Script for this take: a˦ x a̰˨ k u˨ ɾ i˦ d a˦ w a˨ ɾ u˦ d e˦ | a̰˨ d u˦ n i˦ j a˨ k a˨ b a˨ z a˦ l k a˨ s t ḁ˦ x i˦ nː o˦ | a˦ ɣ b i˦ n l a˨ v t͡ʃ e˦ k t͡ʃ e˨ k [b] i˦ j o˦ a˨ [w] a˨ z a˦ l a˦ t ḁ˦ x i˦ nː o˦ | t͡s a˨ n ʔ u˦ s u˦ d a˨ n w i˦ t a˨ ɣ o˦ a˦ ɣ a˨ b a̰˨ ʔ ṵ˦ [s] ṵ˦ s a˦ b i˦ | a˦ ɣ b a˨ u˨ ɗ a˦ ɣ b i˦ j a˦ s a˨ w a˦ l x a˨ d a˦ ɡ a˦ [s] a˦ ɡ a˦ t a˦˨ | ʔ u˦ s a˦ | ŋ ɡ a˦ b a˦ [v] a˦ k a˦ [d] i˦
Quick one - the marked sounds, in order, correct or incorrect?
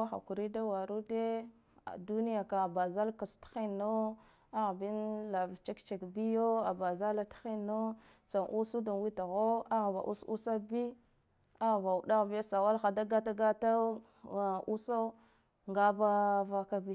correct, incorrect, correct, incorrect, correct, incorrect

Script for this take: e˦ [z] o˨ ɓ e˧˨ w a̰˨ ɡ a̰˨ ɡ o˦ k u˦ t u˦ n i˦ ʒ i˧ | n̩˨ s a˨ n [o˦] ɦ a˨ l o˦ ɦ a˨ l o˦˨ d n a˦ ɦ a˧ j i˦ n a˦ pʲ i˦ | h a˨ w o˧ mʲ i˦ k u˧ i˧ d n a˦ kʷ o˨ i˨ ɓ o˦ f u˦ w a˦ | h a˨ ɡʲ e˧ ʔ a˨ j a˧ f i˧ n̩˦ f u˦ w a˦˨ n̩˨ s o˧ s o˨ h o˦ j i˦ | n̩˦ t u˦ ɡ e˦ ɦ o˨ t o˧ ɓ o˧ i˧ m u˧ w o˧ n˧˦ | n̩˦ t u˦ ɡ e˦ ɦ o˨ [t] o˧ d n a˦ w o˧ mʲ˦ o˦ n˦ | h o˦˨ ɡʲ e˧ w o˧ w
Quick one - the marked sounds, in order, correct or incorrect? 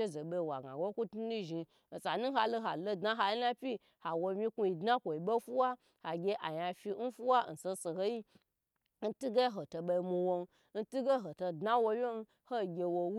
correct, incorrect, correct

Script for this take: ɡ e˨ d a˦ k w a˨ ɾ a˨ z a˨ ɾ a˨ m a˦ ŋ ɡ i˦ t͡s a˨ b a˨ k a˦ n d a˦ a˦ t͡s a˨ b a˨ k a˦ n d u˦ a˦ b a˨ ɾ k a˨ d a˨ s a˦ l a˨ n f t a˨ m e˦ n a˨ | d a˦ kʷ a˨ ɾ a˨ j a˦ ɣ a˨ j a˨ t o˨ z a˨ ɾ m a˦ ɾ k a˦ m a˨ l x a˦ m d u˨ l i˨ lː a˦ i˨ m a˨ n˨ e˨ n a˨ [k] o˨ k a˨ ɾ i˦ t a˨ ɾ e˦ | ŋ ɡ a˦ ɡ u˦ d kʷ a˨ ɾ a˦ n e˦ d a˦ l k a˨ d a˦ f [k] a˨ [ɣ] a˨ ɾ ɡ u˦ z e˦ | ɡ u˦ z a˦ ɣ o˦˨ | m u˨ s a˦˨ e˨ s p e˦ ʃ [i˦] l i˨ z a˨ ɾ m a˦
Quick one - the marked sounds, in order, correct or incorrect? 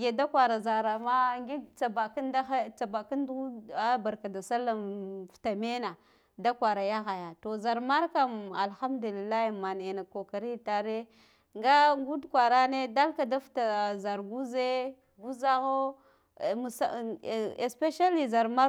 correct, incorrect, incorrect, incorrect

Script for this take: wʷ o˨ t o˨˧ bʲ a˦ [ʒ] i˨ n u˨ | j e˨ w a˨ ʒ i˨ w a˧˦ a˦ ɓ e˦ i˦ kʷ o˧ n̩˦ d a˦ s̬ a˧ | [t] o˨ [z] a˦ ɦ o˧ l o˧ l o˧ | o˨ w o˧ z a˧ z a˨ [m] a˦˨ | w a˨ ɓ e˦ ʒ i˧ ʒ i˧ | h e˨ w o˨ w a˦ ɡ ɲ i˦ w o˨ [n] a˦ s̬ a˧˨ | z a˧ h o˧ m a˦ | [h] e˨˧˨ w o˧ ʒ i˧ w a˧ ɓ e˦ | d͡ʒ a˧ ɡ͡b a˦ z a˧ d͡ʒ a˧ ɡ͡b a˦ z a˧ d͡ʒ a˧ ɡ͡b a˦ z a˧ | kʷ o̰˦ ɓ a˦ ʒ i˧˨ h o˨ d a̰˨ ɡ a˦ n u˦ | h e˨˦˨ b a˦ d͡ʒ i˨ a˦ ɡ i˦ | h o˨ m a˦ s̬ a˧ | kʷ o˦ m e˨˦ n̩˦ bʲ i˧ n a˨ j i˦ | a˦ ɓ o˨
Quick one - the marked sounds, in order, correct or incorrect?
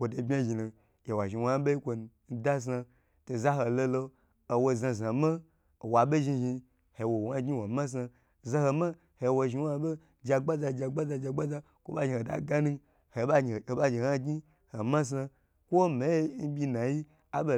correct, correct, correct, correct, incorrect, correct

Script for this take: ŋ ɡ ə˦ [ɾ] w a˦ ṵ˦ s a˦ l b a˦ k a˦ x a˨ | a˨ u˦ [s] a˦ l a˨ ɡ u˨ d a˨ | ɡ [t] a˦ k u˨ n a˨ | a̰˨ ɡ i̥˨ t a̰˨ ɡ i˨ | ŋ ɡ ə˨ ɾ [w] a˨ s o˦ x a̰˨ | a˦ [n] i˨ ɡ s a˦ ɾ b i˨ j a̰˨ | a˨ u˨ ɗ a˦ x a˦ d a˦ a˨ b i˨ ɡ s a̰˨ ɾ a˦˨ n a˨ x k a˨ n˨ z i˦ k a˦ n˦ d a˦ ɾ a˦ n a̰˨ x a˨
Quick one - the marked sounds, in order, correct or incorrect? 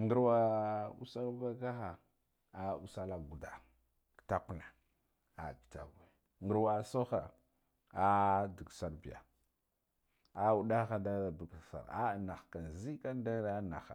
correct, correct, correct, correct, incorrect

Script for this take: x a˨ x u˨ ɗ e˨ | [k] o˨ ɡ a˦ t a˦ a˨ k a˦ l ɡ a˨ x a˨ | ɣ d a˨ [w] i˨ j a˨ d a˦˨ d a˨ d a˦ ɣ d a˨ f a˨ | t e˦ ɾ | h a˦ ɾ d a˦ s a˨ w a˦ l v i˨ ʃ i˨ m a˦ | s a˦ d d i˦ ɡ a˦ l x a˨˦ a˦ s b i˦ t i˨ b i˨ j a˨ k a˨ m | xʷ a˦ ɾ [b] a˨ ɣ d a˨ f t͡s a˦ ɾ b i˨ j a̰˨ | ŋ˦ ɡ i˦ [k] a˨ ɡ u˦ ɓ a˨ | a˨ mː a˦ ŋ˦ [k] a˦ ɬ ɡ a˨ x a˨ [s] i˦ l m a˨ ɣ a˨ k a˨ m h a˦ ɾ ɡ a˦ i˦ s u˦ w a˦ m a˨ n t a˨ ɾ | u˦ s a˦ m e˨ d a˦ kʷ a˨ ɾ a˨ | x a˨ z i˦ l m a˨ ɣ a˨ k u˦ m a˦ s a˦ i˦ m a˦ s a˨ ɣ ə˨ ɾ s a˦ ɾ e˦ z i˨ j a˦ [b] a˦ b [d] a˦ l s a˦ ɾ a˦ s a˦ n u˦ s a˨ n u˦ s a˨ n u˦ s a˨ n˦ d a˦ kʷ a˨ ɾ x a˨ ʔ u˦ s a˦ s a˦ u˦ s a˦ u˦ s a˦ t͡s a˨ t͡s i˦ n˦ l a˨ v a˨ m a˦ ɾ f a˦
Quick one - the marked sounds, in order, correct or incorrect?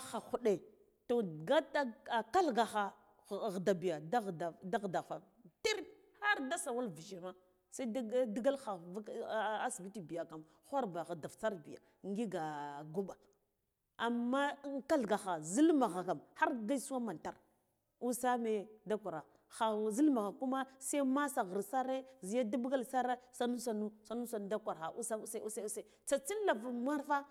incorrect, incorrect, correct, incorrect, correct, incorrect, incorrect, incorrect

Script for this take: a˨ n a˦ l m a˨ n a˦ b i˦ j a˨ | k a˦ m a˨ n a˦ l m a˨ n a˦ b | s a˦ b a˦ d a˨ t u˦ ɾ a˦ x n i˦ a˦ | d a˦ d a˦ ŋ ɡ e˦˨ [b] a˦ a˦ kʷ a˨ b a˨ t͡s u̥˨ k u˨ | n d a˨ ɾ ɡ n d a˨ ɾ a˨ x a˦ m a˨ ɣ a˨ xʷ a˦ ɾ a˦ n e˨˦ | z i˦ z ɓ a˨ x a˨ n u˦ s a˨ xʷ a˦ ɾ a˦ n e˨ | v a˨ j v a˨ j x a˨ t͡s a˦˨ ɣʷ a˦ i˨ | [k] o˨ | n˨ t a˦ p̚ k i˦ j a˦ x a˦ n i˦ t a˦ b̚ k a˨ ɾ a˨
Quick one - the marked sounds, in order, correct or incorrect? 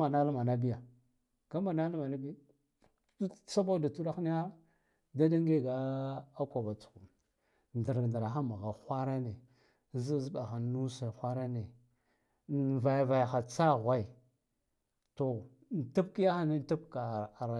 incorrect, incorrect

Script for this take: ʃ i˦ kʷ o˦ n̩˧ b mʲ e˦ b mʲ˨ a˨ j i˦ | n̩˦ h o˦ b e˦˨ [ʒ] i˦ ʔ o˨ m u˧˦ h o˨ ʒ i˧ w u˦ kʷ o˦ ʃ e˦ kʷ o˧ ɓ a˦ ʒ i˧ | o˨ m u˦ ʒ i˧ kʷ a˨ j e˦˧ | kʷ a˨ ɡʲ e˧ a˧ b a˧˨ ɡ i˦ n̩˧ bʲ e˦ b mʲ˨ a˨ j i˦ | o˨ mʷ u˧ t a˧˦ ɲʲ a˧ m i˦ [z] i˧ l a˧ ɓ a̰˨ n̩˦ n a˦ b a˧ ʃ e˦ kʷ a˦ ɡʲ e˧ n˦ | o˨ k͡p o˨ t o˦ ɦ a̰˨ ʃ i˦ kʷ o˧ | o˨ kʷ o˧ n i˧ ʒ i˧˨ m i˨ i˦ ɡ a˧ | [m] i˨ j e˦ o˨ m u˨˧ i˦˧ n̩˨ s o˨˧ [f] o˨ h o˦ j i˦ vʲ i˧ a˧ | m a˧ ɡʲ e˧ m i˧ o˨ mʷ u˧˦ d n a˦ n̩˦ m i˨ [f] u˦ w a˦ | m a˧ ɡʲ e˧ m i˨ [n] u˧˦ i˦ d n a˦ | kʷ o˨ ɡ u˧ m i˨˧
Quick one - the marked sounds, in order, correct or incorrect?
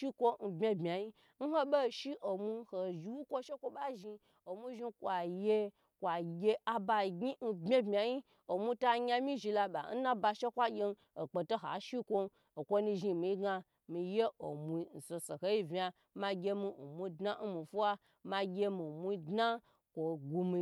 incorrect, incorrect, correct, incorrect, correct, incorrect

